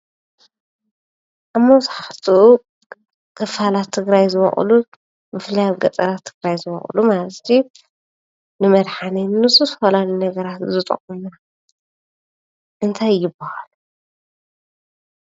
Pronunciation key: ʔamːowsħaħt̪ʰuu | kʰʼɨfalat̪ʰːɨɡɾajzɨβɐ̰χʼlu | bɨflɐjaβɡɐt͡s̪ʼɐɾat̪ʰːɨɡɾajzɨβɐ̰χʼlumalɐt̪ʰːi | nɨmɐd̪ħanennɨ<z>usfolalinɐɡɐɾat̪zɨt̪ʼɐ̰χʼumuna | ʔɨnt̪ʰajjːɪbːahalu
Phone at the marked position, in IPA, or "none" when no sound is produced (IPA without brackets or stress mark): s